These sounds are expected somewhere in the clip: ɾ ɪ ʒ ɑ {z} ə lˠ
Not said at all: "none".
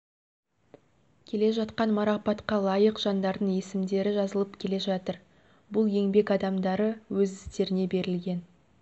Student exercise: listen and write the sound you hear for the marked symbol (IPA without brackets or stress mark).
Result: z